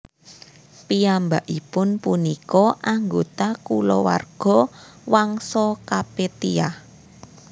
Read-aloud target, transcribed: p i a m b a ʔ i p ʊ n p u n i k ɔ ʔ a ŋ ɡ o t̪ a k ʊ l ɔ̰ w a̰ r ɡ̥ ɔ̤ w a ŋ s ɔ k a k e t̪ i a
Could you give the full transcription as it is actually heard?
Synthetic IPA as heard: p i a m b a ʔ i p ʊ n p u n i k ɔ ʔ a ŋ ɡ o t̪ a k u l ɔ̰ w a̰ r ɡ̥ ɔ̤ w a ŋ s ɔ k a p e t̪ i a